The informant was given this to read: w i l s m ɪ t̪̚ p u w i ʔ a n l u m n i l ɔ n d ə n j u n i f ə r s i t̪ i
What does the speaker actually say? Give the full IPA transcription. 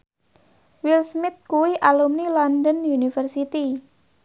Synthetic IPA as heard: w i l s m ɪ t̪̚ k u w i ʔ a l u m n i l ɔ n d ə n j u n i f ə r s i t̪ i